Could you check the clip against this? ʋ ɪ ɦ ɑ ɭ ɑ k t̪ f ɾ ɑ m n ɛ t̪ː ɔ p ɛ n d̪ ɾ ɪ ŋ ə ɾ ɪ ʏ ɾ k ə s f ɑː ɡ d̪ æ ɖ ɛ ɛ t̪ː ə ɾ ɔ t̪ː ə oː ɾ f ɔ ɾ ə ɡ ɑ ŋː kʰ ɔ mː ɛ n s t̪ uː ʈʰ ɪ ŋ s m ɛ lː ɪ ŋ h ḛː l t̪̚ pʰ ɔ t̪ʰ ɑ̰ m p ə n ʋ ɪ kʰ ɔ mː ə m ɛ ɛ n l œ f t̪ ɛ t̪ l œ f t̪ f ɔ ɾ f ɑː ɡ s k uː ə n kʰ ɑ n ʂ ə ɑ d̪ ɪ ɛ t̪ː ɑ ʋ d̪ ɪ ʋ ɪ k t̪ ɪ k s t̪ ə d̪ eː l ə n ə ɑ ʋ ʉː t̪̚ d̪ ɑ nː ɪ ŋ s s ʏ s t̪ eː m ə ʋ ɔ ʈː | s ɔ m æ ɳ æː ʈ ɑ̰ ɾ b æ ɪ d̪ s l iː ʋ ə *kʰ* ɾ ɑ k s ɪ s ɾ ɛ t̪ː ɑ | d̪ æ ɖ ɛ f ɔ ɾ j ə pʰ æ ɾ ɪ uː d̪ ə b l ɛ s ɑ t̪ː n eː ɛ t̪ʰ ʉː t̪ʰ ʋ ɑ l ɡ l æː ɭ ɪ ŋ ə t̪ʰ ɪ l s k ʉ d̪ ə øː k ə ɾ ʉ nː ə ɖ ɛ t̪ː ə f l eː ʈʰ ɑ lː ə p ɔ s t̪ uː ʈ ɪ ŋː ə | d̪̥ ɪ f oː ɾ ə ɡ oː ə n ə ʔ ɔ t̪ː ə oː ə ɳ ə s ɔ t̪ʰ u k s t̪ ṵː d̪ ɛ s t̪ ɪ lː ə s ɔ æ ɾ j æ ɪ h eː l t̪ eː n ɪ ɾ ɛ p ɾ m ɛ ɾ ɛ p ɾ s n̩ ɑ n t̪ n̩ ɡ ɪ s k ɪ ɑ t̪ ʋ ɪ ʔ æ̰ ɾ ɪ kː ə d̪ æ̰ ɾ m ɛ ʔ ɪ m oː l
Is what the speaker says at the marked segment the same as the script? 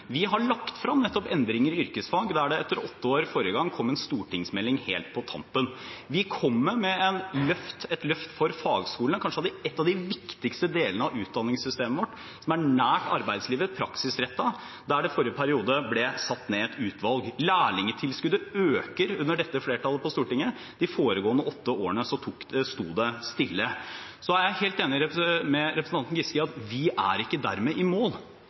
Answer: no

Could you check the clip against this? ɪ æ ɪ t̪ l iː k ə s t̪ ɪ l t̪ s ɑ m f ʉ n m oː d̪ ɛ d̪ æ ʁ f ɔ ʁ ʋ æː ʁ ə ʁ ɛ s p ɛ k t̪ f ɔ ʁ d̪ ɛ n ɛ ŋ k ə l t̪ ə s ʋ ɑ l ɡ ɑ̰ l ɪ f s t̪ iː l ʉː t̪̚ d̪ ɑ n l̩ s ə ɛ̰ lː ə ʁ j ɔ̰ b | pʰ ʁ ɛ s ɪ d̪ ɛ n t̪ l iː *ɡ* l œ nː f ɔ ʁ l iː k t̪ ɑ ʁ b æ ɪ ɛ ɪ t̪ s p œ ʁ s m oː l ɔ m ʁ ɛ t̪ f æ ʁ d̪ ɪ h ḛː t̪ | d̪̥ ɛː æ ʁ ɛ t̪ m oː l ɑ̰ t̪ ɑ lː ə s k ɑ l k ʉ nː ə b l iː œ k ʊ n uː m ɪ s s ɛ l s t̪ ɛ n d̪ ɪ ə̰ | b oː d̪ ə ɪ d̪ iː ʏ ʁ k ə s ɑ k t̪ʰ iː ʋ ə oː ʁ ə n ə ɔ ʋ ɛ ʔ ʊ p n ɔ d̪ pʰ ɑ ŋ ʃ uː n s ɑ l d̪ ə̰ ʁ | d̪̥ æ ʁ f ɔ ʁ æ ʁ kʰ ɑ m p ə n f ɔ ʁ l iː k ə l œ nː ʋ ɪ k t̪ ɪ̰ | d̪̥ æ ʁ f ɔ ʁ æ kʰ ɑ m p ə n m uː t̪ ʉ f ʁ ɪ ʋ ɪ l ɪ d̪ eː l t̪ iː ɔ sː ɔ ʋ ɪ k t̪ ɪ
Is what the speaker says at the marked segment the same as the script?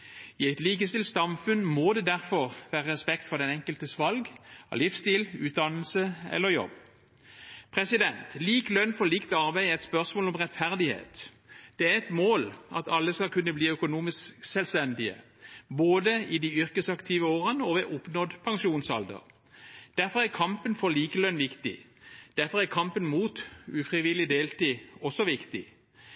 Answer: no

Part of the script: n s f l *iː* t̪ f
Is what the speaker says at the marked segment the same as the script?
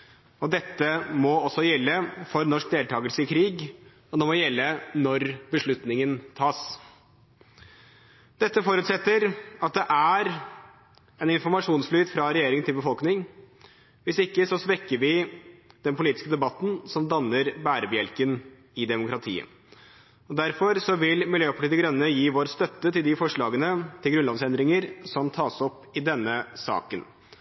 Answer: no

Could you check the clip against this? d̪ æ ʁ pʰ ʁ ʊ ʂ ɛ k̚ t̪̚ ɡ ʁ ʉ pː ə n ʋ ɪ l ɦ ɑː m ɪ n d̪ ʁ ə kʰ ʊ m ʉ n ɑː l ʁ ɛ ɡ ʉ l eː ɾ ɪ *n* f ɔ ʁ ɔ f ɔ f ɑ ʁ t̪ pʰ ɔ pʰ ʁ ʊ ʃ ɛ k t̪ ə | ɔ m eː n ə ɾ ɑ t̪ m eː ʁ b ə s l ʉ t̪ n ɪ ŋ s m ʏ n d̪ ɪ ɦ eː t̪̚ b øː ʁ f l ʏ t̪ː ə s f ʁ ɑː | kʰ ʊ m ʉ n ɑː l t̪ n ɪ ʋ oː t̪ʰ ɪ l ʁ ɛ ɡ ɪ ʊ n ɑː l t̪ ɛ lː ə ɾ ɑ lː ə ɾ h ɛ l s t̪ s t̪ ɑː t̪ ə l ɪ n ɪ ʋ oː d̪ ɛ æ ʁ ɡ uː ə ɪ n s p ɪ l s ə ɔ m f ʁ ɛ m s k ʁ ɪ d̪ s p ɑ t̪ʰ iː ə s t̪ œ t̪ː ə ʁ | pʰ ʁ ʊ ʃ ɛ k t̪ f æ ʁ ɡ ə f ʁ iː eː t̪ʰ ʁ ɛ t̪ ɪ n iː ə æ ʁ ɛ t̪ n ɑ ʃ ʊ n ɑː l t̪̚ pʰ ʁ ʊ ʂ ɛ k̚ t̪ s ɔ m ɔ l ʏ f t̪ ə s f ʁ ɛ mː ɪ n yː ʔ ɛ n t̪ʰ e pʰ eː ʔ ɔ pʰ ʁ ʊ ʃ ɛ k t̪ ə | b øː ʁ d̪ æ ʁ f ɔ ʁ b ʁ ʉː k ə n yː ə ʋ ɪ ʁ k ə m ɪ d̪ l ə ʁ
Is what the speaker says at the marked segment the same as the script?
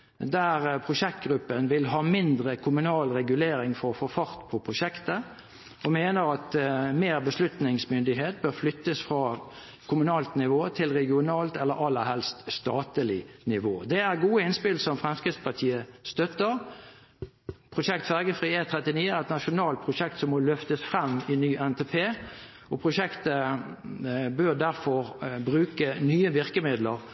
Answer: no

